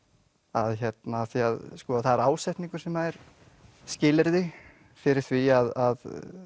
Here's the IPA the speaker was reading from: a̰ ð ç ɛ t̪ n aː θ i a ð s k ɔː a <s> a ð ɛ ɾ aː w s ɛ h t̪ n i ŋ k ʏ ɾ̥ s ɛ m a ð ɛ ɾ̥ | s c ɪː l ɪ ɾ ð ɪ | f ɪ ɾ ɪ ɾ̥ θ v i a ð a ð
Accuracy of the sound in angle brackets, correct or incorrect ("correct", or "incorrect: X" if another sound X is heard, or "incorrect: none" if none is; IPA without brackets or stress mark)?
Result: incorrect: θ